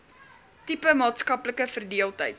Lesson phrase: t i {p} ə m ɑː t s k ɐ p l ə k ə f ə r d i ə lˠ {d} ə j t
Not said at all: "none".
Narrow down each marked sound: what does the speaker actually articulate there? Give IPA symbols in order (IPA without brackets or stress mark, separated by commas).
p, t